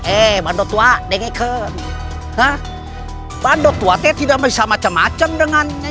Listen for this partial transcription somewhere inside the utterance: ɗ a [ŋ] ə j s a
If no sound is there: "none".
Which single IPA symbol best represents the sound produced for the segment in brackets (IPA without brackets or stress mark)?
m